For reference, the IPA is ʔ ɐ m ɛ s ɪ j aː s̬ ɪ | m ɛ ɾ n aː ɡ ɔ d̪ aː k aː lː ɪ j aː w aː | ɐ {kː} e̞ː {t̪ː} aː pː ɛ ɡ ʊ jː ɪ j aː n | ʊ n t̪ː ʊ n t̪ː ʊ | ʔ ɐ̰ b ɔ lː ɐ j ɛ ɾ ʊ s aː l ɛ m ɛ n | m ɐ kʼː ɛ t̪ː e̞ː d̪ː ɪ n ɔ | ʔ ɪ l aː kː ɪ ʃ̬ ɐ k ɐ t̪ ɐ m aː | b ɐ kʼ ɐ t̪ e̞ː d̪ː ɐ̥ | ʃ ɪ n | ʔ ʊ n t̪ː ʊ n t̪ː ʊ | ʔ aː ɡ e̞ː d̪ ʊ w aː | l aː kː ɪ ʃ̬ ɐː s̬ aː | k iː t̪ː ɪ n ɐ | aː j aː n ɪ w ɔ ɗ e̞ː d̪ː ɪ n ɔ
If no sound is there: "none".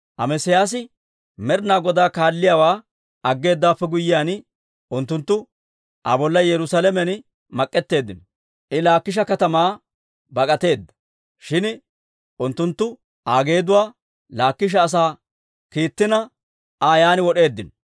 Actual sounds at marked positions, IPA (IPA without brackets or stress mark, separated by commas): ɡː, d̪ː